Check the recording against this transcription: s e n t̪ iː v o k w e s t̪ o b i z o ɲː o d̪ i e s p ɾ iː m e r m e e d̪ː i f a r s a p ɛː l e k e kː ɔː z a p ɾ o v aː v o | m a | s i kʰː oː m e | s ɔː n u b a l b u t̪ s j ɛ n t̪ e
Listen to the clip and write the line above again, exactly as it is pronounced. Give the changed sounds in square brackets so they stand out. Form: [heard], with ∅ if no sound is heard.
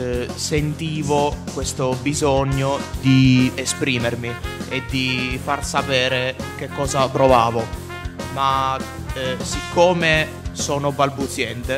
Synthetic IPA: s e n t̪ iː v o k w e s t̪ o b i z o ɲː o d̪ i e s p ɾ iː m e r m [i] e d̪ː i f a r s a p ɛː [ɾ] e k e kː ɔː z a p ɾ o v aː v o | m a | s i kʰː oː m e | s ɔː n [o] b a l b u t̪ s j ɛ n t̪ e